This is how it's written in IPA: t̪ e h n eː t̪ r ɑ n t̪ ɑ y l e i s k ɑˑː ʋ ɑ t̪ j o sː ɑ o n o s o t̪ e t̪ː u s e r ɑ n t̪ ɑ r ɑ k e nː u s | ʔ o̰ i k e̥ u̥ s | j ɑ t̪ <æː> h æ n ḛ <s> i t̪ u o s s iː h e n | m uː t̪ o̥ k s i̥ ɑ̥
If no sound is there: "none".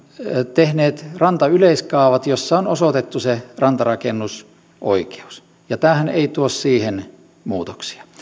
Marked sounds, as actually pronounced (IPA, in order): æː, none

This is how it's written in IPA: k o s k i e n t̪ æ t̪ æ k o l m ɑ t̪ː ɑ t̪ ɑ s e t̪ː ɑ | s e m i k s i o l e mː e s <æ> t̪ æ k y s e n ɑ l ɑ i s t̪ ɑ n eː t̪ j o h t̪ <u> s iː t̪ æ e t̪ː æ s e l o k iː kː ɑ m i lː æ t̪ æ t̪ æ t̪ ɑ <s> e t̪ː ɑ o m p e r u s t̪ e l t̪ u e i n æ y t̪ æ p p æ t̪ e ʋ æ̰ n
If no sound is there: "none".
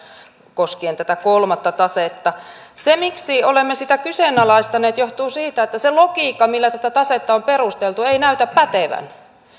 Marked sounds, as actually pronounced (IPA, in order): i, uː, s

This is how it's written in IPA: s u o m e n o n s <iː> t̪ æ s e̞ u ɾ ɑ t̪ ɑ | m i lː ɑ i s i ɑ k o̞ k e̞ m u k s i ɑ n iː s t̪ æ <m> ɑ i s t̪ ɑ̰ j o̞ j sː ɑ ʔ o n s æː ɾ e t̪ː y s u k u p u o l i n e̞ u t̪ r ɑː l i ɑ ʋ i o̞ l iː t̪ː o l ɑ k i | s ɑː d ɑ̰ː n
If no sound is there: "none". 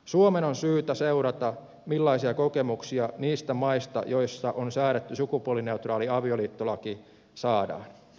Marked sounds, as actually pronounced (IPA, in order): yː, m

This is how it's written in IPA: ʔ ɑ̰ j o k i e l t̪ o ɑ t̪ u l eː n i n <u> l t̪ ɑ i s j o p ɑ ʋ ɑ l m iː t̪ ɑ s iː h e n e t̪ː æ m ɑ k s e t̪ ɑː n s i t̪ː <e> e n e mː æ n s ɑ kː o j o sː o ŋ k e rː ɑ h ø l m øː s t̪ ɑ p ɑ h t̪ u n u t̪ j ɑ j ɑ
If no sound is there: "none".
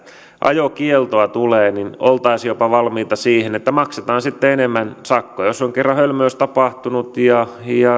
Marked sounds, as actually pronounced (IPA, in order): o, e

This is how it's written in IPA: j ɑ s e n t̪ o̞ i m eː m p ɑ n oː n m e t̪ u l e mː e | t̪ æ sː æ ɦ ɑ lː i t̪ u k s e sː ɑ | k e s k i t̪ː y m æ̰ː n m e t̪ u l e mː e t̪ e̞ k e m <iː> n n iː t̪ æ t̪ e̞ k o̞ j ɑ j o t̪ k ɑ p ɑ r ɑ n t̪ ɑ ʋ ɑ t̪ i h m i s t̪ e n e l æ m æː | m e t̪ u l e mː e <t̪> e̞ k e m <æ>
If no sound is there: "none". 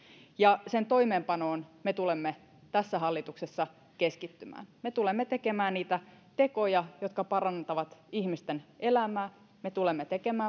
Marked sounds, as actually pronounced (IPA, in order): æː, t̪, æː

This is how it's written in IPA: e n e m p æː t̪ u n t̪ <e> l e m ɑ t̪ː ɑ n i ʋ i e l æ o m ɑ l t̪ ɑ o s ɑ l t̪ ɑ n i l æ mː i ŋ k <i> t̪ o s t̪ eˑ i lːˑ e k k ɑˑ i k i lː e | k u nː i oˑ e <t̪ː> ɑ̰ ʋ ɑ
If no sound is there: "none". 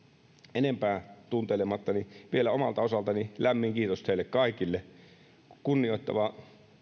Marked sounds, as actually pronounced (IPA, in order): e, iː, t̪ː

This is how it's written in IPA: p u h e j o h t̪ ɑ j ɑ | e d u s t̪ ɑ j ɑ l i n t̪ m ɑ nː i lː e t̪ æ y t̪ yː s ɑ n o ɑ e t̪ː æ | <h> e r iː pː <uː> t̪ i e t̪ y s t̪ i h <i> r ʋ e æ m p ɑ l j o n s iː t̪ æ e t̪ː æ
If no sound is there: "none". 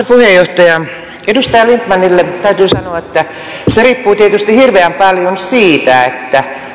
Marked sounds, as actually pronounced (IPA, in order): s, uː, i

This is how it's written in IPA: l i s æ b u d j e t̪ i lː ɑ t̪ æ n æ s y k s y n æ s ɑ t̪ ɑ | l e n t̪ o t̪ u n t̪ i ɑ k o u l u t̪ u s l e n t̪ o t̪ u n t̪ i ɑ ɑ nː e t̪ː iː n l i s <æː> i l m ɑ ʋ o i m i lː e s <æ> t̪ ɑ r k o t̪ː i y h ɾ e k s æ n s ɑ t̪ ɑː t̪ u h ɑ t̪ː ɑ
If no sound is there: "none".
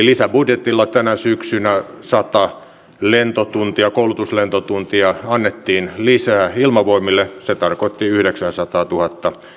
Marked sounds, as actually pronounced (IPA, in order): æː, e

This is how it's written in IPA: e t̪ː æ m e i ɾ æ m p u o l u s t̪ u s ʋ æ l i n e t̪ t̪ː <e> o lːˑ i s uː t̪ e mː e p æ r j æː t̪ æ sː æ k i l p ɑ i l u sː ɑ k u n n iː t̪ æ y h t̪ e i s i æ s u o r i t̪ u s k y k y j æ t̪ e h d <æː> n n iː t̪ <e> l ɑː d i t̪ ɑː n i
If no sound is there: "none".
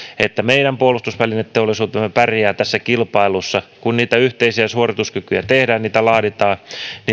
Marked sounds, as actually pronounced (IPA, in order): e, æː, æ

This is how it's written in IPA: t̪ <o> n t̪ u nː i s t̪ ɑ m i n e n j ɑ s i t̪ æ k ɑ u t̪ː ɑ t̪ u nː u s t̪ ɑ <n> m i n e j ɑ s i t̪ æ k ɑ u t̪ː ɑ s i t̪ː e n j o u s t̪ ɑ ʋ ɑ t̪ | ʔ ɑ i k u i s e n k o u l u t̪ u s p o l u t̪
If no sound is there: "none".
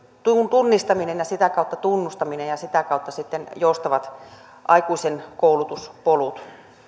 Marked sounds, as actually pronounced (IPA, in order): u, none

